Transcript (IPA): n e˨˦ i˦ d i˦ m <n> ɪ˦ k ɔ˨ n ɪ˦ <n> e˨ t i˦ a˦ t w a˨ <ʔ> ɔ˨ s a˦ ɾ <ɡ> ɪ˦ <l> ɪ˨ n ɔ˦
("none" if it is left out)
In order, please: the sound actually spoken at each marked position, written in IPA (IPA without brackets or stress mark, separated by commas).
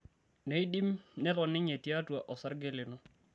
n, ɲ, ʔ, ɡ, l